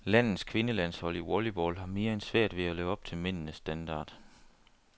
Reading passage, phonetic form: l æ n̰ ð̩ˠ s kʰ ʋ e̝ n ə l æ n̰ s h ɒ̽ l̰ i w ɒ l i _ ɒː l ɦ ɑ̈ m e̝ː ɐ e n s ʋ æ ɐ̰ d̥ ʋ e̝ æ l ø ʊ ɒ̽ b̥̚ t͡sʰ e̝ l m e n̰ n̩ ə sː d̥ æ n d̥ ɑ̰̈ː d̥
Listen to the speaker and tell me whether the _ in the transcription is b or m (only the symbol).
b